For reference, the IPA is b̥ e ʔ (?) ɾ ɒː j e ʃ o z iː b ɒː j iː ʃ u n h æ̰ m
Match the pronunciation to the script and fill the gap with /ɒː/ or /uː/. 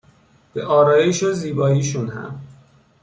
ɒː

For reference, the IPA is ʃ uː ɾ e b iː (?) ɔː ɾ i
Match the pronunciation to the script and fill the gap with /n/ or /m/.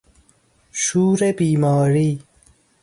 m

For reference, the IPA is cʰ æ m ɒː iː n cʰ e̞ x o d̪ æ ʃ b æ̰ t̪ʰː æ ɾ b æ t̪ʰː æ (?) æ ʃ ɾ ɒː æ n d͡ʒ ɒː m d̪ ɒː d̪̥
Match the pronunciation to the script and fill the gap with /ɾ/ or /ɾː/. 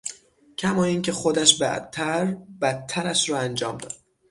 ɾ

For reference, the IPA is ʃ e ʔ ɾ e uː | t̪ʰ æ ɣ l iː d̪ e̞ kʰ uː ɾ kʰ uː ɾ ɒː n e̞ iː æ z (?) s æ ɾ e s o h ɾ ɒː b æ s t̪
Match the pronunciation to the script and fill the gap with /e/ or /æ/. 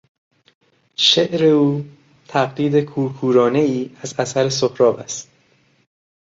æ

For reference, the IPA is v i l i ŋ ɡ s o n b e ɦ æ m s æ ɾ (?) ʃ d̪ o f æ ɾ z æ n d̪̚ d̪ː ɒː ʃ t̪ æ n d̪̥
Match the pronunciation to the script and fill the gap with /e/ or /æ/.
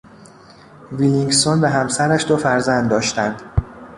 æ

